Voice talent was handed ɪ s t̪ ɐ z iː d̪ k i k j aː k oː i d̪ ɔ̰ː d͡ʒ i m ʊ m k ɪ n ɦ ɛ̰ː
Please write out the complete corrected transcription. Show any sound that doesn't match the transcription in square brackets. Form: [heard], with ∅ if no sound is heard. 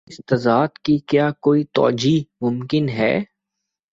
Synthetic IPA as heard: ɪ s t̪ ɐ z [aː] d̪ k i k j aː k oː i [t̪] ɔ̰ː d͡ʒ i m ʊ m k ɪ n ɦ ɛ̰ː